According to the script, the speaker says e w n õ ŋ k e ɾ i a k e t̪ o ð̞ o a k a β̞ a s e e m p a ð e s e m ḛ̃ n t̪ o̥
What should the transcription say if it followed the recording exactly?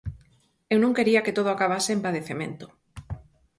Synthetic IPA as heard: e w n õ ŋ k e ɾ i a k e t̪ o ð̞ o a k a β̞ a s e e m p a ð e θ e m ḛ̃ n t̪ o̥